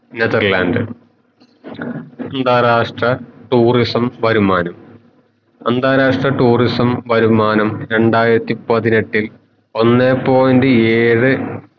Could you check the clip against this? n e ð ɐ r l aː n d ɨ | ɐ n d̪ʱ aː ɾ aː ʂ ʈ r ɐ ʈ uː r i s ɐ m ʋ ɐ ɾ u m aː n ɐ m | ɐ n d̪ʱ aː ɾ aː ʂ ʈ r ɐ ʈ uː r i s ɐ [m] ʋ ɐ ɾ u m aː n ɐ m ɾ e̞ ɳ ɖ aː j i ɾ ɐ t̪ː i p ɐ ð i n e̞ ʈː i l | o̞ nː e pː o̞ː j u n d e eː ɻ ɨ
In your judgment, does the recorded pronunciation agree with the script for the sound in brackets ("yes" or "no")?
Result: yes